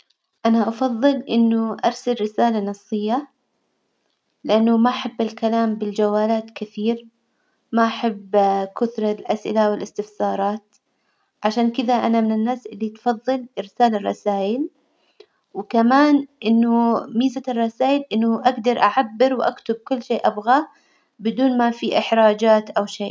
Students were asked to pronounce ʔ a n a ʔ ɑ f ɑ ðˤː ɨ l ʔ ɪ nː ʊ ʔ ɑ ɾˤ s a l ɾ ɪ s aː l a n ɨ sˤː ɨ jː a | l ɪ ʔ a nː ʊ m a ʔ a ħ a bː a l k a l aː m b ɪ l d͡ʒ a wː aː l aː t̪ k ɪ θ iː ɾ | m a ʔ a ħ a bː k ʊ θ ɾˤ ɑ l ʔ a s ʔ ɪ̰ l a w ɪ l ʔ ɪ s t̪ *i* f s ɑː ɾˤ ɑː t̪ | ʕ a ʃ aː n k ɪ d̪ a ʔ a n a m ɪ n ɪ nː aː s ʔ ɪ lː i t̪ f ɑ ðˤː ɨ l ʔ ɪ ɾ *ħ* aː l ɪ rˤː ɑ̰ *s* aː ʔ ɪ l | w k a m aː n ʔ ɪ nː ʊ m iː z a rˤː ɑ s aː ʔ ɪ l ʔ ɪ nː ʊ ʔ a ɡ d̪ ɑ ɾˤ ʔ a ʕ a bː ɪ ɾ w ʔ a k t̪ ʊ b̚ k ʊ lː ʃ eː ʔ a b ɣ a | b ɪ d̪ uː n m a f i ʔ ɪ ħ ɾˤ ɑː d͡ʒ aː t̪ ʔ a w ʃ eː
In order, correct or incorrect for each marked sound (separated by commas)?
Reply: incorrect, incorrect, correct